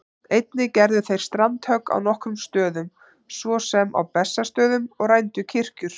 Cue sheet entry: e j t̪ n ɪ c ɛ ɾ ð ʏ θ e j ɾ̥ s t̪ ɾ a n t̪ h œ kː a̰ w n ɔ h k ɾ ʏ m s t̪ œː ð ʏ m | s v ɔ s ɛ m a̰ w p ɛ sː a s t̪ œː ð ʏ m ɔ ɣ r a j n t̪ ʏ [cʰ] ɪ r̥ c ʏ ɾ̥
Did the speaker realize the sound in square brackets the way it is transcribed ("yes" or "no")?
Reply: yes